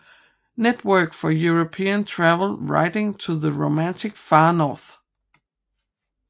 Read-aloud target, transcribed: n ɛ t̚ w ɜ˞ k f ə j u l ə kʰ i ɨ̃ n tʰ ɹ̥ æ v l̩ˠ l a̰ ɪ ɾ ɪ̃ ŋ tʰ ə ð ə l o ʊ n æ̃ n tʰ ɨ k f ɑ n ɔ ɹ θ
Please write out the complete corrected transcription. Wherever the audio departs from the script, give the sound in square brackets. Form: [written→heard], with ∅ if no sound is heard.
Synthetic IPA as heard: n ɛ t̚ w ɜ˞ k f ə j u [l→ɹ] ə [kʰ→pʰ] i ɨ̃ n tʰ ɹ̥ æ v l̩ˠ [l→ɹ] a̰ ɪ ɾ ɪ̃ ŋ tʰ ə ð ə [l→ɹ] o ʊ [n→m] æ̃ n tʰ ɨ k f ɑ n ɔ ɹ θ